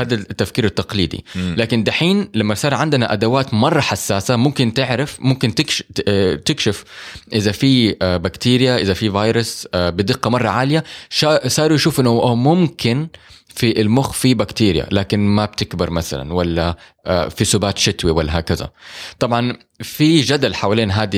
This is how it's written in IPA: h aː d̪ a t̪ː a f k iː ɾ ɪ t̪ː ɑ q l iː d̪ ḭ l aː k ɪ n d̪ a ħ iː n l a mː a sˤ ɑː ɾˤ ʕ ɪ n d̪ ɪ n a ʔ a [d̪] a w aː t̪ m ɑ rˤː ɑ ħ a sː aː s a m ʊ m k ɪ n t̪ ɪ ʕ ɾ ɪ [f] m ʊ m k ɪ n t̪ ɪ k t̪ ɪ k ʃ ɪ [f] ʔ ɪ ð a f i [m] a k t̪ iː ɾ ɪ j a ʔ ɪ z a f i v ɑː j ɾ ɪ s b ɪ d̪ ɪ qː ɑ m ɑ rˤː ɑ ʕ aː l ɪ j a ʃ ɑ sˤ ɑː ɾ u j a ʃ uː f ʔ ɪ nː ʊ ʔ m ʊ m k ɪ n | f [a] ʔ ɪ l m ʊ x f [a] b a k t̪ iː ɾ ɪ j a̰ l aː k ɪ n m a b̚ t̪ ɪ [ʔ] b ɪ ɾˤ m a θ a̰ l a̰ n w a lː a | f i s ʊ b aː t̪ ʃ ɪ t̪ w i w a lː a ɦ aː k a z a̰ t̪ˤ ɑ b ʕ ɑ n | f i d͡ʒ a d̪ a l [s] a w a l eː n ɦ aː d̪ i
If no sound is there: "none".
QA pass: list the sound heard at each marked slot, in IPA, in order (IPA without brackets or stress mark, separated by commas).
d̪, f, f, b, i, i, k, ħ